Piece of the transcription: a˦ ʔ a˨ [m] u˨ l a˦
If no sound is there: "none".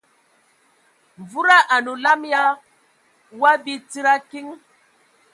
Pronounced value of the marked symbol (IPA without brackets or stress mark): n